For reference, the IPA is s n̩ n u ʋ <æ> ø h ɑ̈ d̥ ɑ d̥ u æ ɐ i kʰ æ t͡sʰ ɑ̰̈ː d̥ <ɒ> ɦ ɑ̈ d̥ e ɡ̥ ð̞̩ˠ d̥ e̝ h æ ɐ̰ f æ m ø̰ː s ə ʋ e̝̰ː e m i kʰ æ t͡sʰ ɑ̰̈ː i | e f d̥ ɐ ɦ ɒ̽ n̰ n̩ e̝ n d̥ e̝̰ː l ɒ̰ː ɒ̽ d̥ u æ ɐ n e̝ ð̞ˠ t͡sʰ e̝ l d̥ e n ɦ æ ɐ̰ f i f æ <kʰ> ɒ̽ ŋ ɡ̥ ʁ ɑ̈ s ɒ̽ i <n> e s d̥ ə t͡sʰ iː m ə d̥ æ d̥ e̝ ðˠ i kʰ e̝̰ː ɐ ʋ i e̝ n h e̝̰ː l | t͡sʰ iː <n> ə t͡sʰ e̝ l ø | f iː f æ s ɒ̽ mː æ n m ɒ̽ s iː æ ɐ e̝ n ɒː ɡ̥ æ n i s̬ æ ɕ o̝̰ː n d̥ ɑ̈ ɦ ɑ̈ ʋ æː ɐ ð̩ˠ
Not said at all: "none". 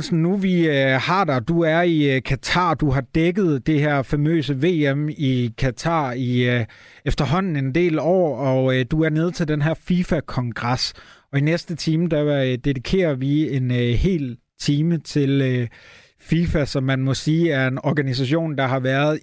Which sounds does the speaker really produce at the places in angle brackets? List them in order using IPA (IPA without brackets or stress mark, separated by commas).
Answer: i, u, kʰ, n, m